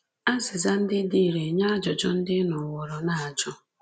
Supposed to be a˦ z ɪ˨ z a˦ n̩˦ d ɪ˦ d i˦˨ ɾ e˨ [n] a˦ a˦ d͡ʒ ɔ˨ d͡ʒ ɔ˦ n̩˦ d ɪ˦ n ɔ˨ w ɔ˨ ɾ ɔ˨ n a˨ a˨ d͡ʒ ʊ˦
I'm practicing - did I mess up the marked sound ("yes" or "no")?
yes